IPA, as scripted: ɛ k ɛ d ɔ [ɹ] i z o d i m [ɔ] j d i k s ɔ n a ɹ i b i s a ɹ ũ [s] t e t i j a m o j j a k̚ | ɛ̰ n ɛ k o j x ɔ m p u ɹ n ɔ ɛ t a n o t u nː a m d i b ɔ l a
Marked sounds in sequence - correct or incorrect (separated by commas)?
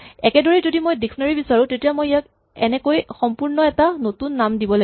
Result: correct, incorrect, incorrect